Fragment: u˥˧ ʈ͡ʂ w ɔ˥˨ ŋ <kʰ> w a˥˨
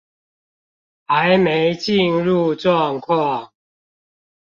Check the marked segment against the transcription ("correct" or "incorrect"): correct